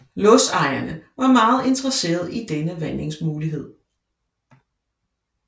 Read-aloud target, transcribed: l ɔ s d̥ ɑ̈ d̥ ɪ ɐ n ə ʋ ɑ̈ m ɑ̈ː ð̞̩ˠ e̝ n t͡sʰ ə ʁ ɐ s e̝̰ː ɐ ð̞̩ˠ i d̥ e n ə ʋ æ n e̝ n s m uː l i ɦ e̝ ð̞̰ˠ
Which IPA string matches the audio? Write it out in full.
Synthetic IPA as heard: l ɔ s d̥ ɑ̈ ɪ ɐ n ə ʋ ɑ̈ m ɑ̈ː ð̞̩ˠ e̝ n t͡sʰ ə ʁ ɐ s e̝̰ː ɐ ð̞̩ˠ i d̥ e n ə ʋ æ n e̝ ŋ s m uː l i ɦ e̝ ð̞̰ˠ